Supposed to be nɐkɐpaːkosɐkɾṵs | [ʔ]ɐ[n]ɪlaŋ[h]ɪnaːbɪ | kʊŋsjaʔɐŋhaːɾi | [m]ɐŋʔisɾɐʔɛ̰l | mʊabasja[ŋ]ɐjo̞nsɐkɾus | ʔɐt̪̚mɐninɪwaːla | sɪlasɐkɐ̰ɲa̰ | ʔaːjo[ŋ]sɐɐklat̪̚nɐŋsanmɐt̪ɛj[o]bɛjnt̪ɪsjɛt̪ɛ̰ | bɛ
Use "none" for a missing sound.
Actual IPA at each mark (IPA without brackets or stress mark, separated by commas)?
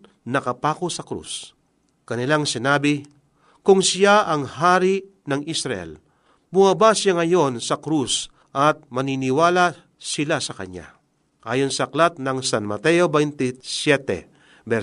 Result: k, n, s, n, ŋ, n, o